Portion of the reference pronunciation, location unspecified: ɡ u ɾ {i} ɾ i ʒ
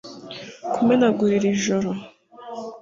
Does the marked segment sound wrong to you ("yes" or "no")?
no